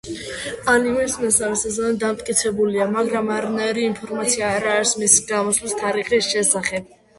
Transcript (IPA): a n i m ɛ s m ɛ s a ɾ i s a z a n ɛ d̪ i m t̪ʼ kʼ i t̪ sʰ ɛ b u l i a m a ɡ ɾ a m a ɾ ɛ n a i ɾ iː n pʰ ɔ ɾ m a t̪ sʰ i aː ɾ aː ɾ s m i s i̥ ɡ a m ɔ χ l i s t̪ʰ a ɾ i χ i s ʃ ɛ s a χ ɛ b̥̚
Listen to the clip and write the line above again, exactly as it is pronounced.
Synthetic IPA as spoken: a n i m ɛ s m ɛ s a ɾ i s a z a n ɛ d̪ a m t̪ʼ kʼ i t̪ sʰ ɛ b u l i a m a ɡ ɾ a m a ɾ a n a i ɾ iː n pʰ ɔ ɾ m a t̪ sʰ i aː ɾ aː ɾ s m i s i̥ ɡ a m ɔ s l i s t̪ʰ a ɾ i χ i s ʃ ɛ s a χ ɛ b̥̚